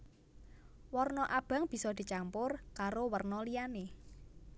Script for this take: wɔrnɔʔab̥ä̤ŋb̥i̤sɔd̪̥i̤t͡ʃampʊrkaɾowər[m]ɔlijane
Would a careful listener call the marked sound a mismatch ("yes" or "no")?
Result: yes